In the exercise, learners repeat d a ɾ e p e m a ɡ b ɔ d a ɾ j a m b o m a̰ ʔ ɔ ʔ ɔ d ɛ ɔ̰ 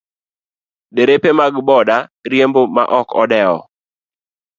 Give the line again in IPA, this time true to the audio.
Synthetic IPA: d e ɾ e p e m a ɡ b ɔ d a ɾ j e m b o m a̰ ʔ ɔ k ɔ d ɛ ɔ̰